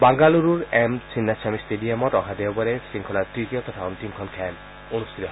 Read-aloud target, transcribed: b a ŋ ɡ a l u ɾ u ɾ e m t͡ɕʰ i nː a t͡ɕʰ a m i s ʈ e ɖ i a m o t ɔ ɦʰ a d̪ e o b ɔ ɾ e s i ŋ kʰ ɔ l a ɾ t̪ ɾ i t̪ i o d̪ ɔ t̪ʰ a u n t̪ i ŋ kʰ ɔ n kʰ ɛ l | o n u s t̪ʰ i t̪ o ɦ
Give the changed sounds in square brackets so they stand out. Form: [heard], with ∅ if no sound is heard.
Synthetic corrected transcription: b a ŋ ɡ a l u ɾ u ɾ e m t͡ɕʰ i nː a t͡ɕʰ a m i s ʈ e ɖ i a m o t ɔ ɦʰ a d̪ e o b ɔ ɾ e s i ŋ kʰ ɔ l a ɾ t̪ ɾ i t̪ i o [t̪] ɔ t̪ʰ a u n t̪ i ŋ kʰ ɔ n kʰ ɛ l | o n u s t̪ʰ i t̪ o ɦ

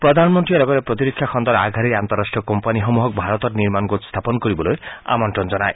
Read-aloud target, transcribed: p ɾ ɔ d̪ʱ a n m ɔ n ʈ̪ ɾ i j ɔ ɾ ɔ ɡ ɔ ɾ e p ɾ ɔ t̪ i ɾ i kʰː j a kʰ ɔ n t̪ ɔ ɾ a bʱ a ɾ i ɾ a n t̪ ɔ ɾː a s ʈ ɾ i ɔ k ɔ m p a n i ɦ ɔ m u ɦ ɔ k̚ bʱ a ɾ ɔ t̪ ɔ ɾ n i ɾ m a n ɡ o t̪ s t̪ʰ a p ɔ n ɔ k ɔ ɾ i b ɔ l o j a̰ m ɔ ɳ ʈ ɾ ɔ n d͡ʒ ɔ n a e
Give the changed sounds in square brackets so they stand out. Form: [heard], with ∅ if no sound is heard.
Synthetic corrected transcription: p ɾ ɔ d̪ʱ a n m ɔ n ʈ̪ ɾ i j ɔ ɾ ɔ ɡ ɔ ɾ e p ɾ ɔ t̪ i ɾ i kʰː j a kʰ ɔ n [d̪] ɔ ɾ a [ɡʱ] a ɾ i ɾ a n t̪ ɔ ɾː a s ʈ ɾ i ɔ k ɔ m p a n i ɦ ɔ m u ɦ ɔ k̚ bʱ a ɾ ɔ t̪ ɔ ɾ n i ɾ m a n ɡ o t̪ s t̪ʰ a p ɔ n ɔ k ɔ ɾ i b ɔ l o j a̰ m ɔ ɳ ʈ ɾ ɔ n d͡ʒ ɔ n a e

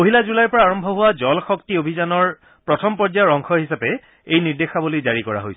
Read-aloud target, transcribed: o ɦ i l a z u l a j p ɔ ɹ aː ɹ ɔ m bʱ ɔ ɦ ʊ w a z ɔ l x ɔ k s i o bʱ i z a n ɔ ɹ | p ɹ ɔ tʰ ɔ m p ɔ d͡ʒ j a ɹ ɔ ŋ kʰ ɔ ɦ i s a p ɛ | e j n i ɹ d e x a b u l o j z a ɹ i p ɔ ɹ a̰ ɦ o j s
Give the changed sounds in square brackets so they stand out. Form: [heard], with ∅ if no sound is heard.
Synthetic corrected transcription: o ɦ i l a z u l a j p ɔ ɹ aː ɹ ɔ m bʱ ɔ ɦ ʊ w a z ɔ l x ɔ k [t] i o bʱ i z a n ɔ ɹ | p ɹ ɔ tʰ ɔ m p ɔ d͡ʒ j a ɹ ɔ ŋ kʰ ɔ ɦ i s a p ɛ | e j n i ɹ d e x a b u l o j z a ɹ i [k] ɔ ɹ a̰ ɦ o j s

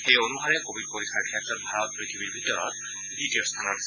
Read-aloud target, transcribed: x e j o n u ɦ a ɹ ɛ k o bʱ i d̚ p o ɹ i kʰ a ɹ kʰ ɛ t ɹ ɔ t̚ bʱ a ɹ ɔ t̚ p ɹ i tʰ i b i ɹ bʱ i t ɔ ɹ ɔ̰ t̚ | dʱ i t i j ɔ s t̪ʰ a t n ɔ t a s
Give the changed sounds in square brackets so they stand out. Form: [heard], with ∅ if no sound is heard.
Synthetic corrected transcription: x e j o n u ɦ a ɹ ɛ k o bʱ i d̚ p o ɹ i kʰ a ɹ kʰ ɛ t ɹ ɔ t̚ bʱ a ɹ ɔ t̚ p ɹ i tʰ i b i ɹ bʱ i t ɔ ɹ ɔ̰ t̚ | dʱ i t i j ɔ s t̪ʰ a [∅] n ɔ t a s

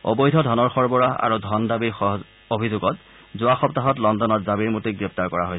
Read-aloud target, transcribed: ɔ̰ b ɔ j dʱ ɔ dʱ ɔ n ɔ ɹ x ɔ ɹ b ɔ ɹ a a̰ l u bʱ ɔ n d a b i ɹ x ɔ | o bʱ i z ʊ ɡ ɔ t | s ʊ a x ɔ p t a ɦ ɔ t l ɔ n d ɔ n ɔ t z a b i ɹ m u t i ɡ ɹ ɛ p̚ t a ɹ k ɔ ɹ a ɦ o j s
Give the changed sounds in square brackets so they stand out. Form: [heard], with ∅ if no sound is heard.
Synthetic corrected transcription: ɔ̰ b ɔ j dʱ ɔ dʱ ɔ n ɔ ɹ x ɔ ɹ b ɔ ɹ a a̰ [ɹ] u [dʱ] ɔ n d a b i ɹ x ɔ | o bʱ i z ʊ ɡ ɔ t | [z] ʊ a x ɔ p t a ɦ ɔ t l ɔ n d ɔ n ɔ t z a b i ɹ m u t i ɡ ɹ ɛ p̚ t a ɹ k ɔ ɹ a ɦ o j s

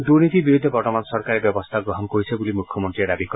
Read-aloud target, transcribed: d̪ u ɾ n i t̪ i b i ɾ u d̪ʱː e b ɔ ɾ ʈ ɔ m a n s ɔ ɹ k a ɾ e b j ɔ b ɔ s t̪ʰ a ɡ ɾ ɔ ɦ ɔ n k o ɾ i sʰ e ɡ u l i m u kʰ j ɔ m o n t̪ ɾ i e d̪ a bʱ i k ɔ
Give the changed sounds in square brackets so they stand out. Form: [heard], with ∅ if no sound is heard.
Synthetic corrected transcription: d̪ u ɾ n i t̪ i b i ɾ u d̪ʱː e b ɔ ɾ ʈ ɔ m a n s ɔ [ɾ] k a ɾ e b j ɔ b ɔ s t̪ʰ a ɡ ɾ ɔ ɦ ɔ n k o ɾ i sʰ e [b] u l i m u kʰ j ɔ m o n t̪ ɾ i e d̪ a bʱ i k ɔ

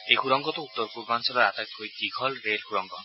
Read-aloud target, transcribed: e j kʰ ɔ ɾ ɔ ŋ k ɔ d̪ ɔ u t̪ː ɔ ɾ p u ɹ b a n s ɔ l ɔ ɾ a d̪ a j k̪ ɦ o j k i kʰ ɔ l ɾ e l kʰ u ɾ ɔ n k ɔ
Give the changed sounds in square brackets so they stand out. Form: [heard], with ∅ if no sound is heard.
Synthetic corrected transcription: e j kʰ [u] ɾ ɔ ŋ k ɔ [t̪] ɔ u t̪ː ɔ ɾ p u [ɾ] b a n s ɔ l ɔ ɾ a [t̪] a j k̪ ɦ o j k i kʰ ɔ l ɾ e l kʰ u ɾ ɔ [ŋ] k ɔ

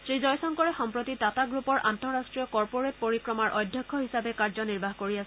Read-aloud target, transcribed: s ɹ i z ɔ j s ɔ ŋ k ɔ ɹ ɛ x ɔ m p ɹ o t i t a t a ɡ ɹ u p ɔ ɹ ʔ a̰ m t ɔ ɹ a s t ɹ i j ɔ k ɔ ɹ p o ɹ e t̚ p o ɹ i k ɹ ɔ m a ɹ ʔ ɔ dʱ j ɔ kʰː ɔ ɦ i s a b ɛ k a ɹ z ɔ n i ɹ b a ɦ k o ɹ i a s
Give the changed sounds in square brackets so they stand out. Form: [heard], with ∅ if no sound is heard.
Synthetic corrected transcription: s ɹ i z ɔ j s ɔ ŋ k ɔ ɹ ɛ x ɔ m p ɹ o t i t a t a ɡ ɹ u p ɔ ɹ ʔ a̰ [n] t ɔ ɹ a s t ɹ i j ɔ k ɔ ɹ p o ɹ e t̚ p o ɹ i k ɹ ɔ m a ɹ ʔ ɔ dʱ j ɔ kʰː ɔ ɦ i s a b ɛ k a ɹ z ɔ n i ɹ b a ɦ k o ɹ i a s

